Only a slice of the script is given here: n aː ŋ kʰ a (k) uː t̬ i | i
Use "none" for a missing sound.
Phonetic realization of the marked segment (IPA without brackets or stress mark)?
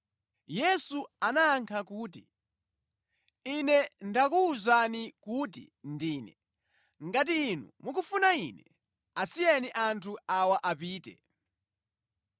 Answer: k